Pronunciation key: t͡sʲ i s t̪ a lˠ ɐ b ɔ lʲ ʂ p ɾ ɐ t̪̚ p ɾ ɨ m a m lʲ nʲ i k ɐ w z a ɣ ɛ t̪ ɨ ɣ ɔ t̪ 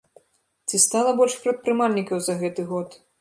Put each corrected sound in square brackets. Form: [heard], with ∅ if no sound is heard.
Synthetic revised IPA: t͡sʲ i s t̪ a lˠ ɐ b ɔ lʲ ʂ p ɾ ɐ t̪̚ p ɾ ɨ m a [∅] lʲ nʲ i k ɐ w z [ɐ] ɣ ɛ t̪ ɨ ɣ ɔ t̪